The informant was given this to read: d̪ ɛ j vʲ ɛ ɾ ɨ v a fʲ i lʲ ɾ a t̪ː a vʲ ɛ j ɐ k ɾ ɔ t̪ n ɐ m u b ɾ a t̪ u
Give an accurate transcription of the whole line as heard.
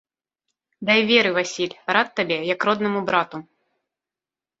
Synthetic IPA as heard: d̪ a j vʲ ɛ ɾ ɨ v a sʲ i lʲ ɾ a t̪ː a bʲ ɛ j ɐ k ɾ ɔ d̪ n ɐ m u b ɾ a t̪ u

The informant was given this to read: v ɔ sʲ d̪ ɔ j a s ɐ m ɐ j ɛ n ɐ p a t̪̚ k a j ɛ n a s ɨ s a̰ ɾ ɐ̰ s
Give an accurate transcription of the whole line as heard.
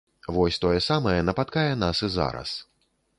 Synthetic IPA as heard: v ɔ sʲ t̪ ɔ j ɛ s a m ɐ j ɛ n ɐ p a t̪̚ k a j ɛ n a s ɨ z a̰ ɾ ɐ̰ s

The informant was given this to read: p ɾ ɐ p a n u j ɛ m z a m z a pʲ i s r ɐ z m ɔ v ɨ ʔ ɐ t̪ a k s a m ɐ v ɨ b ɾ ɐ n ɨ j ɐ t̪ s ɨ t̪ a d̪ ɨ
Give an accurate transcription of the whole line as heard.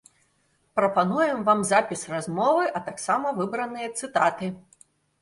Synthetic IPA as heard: p ɾ ɐ p a n u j ɛ m v a m z a pʲ i s r a z m ɔ v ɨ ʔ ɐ t̪ a k s a m ɐ v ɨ b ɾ ɐ n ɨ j ɐ t̪ s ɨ t̪ a t̪ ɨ

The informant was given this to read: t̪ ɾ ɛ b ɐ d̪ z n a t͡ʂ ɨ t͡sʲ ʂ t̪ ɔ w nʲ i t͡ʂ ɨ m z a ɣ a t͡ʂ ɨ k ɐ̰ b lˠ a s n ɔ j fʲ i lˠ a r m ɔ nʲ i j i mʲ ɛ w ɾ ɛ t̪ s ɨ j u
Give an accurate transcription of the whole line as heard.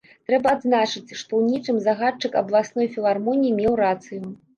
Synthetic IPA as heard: t̪ ɾ ɛ b ɐ d̪ z n a t͡ʂ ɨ t͡sʲ ʂ t̪ ɔ w nʲ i t͡ʂ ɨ m z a ɣ a t͡ʂ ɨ k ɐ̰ b lˠ a s n ɔ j fʲ i lˠ a r m ɔ nʲ i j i mʲ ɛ w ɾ a t̪ s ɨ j u

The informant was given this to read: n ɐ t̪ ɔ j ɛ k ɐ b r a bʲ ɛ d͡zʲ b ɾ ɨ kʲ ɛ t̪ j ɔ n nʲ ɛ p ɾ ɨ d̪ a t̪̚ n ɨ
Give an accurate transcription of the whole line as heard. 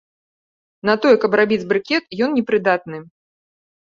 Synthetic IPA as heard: n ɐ t̪ ɔ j ɛ k ɐ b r a bʲ i d͡zʲ b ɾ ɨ kʲ ɛ t̪ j ɔ n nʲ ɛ p ɾ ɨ d̪ a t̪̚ n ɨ

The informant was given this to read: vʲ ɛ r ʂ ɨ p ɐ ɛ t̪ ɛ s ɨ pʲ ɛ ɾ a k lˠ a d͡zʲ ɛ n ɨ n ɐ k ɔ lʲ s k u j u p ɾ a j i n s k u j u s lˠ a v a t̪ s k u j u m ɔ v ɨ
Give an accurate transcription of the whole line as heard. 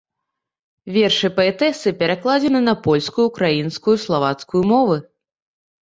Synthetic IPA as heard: vʲ ɛ r ʂ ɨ p ɐ ɛ t̪ ɛ s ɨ pʲ ɛ ɾ a k lˠ a d͡zʲ ɛ n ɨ n ɐ p ɔ lʲ s k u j u k ɾ a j i n s k u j u s lˠ a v a t̪ s k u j u m ɔ v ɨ

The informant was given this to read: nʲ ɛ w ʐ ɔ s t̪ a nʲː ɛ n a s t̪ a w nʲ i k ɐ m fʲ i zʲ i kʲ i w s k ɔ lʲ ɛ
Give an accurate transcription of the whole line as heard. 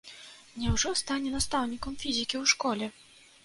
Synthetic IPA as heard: nʲ ɛ w ʐ ɔ s t̪ a nʲ ɛ n a s t̪ a w nʲ i k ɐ m fʲ i zʲ i kʲ i w ʂ k ɔ lʲ ɛ

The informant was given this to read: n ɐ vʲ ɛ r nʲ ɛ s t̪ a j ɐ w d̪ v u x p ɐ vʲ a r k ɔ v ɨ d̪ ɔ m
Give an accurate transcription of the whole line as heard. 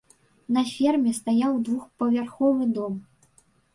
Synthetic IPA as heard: n ɐ fʲ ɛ r mʲ ɛ s t̪ a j a w d̪ v u x p ɐ vʲ a r x ɔ v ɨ d̪ ɔ m

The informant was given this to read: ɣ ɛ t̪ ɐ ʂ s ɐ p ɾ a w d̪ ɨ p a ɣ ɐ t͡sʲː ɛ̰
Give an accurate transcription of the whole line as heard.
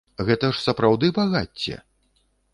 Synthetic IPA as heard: ɣ ɛ t̪ ɐ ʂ s ɐ p ɾ a w d̪ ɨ b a ɣ a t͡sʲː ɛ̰

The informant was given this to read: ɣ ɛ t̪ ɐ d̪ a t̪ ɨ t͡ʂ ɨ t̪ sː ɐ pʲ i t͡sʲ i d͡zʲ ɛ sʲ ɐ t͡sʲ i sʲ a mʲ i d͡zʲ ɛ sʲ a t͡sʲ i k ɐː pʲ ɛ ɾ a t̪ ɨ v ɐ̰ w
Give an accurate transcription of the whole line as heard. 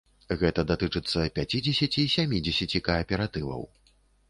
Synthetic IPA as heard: ɣ ɛ t̪ ɐ d̪ a t̪ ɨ t͡ʂ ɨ t̪ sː ɐ pʲ a t͡sʲ i d͡zʲ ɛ sʲ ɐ t͡sʲ i sʲ a mʲ i d͡zʲ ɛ sʲ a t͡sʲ i k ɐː pʲ ɛ ɾ a t̪ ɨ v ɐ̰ w

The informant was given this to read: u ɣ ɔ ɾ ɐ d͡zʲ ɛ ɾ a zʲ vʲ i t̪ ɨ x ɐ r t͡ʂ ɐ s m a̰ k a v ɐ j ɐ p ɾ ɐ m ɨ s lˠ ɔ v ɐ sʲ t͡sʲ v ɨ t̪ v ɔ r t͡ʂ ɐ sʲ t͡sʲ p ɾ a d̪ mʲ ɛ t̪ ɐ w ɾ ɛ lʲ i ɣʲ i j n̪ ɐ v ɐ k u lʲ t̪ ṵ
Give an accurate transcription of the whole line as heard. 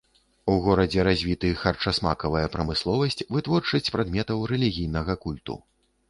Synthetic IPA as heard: u ɣ ɔ ɾ ɐ d͡zʲ ɛ ɾ a zʲ vʲ i t̪ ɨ x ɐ r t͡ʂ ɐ s m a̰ k ɐ v ɐ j ɐ p ɾ ɐ m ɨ s lˠ ɔ v ɐ sʲ t͡sʲ v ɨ t̪ v ɔ r t͡ʂ ɐ sʲ t͡sʲ p ɾ a d̪ mʲ ɛ t̪ ɐ w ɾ ɛ lʲ i ɣʲ i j n̪ ɐ ɣ ɐ k u lʲ t̪ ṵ

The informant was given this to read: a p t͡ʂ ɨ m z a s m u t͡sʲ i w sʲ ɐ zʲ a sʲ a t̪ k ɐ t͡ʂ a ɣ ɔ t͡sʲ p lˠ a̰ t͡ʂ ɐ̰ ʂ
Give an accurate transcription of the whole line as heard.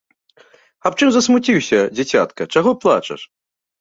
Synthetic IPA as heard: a p t͡ʂ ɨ m z ɐ s m u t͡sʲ i w sʲ ɐ d͡zʲ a t͡sʲ a t̪ k ɐ t͡ʂ a ɣ ɔ p lˠ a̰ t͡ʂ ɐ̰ ʂ

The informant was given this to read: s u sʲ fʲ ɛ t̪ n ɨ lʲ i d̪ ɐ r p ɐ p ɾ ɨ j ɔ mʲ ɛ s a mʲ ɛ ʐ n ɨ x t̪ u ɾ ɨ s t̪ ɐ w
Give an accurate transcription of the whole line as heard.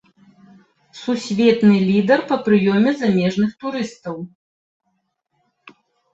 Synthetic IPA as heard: s u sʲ vʲ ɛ t̪ n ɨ lʲ i d̪ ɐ r p ɐ p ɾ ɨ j ɔ mʲ ɛ z a mʲ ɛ ʐ n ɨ x t̪ u ɾ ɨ s t̪ ɐ w

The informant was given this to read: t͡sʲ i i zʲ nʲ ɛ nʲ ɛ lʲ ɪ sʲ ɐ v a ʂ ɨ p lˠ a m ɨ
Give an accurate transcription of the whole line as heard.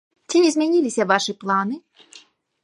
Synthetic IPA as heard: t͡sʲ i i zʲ mʲ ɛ nʲ i lʲ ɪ sʲ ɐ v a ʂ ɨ p lˠ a n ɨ

